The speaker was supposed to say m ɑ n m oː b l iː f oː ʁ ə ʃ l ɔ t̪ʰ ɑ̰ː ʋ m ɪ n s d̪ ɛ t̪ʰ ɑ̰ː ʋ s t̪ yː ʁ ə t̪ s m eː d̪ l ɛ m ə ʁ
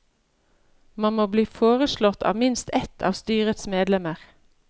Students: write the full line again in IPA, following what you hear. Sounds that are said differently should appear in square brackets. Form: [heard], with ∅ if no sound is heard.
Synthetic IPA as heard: m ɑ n m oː b l iː f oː ʁ ə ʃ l ɔ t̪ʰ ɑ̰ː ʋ m ɪ n s [t̪] ɛ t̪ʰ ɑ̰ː ʋ s t̪ yː ʁ ə t̪ s m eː d̪ l ɛ m ə ʁ